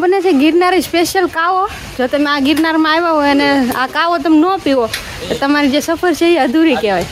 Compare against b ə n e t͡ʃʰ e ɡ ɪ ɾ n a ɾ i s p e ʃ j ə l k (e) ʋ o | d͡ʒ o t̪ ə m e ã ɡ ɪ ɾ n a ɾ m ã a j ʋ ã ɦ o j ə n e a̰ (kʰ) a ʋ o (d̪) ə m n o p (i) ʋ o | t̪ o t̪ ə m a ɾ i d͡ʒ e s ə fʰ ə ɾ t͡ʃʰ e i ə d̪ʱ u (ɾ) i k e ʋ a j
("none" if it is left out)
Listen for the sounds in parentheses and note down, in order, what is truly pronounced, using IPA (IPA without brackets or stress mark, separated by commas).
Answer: a, k, t̪, i, ɾ